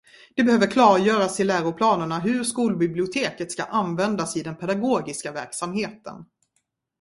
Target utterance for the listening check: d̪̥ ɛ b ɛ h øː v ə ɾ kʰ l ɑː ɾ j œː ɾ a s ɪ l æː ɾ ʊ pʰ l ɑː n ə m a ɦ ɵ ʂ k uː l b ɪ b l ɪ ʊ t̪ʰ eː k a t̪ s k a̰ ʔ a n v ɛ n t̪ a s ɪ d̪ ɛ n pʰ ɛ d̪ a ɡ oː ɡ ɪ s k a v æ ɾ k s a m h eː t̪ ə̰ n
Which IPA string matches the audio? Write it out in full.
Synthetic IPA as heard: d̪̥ ɛ b ɛ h øː v ə ɾ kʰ l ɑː ɾ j œː ɾ a s ɪ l æː ɾ ʊ pʰ l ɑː n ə ɳ a ɦ ɵ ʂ k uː l b ɪ b l ɪ ʊ t̪ʰ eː k ə t̪ s k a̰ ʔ a n v ɛ n d̪ a s ɪ d̪ ɛ n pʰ ɛ d̪ a ɡ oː ɡ ɪ s k a v æ ɾ k s a m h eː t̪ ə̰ n